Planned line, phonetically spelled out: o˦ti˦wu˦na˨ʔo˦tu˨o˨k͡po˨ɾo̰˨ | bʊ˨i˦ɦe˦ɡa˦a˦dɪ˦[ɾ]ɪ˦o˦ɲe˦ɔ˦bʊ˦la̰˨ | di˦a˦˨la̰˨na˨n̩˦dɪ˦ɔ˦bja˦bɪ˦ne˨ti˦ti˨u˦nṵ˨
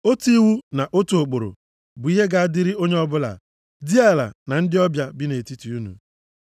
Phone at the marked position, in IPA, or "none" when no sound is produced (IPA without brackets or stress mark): ɾ